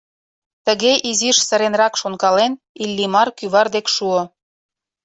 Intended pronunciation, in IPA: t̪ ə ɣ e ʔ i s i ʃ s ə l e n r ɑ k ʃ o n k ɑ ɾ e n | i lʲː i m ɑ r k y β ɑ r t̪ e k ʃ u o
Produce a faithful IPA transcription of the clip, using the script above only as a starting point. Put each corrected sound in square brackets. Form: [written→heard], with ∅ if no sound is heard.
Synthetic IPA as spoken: t̪ ə ɣ e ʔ i [s→z] i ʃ s ə [l→ɾ] e n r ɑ k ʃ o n k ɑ [ɾ→l] e n | i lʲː i m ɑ r k y β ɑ r [t̪→d̪] e k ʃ u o